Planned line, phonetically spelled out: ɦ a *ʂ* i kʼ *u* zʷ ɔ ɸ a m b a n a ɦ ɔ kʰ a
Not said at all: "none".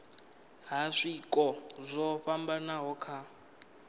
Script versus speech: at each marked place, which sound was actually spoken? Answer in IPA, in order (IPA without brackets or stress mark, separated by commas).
ʂ, ɔ